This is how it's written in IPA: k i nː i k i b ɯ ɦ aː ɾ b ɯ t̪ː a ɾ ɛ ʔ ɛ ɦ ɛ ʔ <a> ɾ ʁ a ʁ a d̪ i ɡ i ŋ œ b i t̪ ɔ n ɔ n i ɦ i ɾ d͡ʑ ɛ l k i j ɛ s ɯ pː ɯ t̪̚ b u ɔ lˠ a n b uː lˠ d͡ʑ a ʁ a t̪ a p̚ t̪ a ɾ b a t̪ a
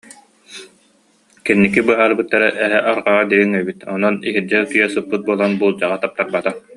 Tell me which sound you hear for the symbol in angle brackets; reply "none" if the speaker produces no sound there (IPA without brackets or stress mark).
a